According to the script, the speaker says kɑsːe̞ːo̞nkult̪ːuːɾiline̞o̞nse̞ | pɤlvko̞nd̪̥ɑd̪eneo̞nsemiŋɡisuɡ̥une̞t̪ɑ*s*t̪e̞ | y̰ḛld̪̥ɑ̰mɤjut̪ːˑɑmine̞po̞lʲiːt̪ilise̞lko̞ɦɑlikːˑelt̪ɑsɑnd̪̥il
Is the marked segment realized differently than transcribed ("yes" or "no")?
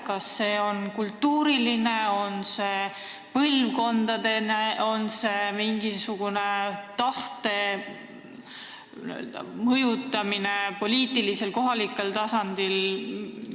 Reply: yes